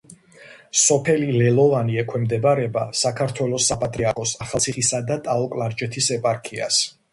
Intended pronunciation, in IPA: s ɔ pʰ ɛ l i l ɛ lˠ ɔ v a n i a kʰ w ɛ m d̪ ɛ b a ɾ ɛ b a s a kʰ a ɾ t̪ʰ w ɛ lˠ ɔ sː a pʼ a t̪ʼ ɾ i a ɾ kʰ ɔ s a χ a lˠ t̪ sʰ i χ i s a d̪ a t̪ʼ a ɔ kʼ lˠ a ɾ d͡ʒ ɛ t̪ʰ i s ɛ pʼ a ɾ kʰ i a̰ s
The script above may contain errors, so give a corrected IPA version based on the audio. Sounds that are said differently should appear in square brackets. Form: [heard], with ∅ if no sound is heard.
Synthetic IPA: s ɔ pʰ ɛ l i l ɛ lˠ ɔ v a n i [ɛ] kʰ w ɛ m d̪ ɛ b a ɾ ɛ b a s a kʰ a ɾ t̪ʰ w ɛ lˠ ɔ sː a pʼ a t̪ʼ ɾ i a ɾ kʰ ɔ s a χ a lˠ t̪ sʰ i χ i s a d̪ a t̪ʼ a ɔ kʼ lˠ a ɾ d͡ʒ ɛ t̪ʰ i s ɛ pʼ a ɾ kʰ i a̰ s